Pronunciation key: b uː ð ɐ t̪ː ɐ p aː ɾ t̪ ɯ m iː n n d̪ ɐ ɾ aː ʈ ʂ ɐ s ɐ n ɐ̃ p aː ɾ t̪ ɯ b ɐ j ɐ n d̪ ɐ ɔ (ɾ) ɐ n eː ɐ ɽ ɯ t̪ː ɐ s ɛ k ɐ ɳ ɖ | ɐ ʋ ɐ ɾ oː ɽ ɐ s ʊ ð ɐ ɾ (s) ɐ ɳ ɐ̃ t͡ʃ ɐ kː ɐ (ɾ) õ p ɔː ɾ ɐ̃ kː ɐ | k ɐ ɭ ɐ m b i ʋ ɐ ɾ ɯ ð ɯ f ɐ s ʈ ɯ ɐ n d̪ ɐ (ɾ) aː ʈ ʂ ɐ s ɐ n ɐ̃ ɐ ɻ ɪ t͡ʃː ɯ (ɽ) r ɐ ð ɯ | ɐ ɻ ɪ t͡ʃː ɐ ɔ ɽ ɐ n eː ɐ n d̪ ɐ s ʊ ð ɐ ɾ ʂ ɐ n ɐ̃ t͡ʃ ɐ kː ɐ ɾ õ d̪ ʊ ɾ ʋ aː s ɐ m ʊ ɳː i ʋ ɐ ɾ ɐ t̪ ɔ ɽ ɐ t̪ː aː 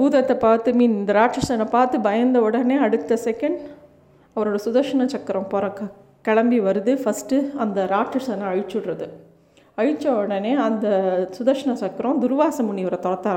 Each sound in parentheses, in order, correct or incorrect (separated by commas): incorrect, incorrect, correct, correct, correct